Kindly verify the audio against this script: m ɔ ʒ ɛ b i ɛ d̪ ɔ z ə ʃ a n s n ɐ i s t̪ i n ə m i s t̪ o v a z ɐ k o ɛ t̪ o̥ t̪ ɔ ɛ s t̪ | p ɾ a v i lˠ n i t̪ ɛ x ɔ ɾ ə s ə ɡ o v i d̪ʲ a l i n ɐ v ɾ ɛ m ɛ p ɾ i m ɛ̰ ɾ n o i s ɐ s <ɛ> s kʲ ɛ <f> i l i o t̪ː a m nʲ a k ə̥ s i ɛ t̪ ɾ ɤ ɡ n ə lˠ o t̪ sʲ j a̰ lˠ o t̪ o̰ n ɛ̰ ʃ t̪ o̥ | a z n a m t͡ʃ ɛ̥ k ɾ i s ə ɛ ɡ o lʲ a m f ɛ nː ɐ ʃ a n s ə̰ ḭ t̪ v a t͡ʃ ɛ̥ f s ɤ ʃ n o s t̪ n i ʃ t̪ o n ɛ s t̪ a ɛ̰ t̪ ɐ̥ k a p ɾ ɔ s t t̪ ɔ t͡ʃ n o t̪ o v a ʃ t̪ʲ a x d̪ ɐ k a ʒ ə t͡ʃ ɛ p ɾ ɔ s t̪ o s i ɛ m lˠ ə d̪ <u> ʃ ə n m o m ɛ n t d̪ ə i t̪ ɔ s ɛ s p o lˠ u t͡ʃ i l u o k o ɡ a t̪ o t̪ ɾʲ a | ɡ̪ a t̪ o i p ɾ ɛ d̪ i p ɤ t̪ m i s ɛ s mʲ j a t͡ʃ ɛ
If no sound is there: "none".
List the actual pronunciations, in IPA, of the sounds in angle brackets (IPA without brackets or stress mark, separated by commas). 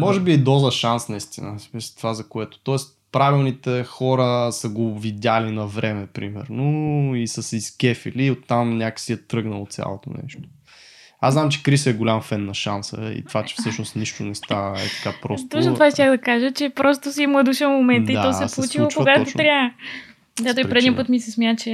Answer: i, f, u